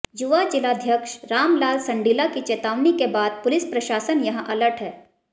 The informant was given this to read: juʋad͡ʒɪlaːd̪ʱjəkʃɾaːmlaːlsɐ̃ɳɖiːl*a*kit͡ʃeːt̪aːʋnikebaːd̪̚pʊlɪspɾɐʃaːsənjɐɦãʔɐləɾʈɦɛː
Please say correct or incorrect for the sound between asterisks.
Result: correct